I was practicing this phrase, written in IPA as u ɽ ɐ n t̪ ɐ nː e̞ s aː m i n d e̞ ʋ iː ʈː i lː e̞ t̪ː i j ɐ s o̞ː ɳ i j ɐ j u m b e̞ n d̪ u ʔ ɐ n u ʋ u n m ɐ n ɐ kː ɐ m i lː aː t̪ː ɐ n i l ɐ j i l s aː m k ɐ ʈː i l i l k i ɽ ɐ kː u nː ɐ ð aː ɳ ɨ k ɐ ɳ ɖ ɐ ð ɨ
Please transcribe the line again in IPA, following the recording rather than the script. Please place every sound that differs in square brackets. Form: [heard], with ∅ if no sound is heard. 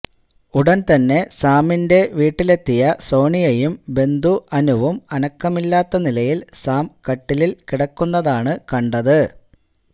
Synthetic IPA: u ɽ ɐ n t̪ ɐ nː e̞ s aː m i n d e̞ ʋ iː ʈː i [l] e̞ t̪ː i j ɐ s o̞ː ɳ i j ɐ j u m b e̞ n d̪ u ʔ ɐ n u ʋ u [∅] m ɐ n ɐ kː ɐ m i lː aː t̪ː ɐ n i l ɐ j i l s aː m k ɐ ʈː i l i l k i ɽ ɐ kː u nː ɐ ð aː ɳ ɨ k ɐ ɳ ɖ ɐ ð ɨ